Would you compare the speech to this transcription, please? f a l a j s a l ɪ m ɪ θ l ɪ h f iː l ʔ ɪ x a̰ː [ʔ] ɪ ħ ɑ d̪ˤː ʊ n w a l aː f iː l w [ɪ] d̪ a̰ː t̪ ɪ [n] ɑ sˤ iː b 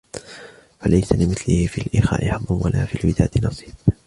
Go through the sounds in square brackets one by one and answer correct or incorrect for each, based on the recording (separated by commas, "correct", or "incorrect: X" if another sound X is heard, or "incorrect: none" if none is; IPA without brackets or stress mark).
correct, correct, correct